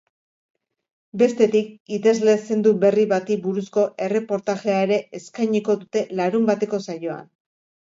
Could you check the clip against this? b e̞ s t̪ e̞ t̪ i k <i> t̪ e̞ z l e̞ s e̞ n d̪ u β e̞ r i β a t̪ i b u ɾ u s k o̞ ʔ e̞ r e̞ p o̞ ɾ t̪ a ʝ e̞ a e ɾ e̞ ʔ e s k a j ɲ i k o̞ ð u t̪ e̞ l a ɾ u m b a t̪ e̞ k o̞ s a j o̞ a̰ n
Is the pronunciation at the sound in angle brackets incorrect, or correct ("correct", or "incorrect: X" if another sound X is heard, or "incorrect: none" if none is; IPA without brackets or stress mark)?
correct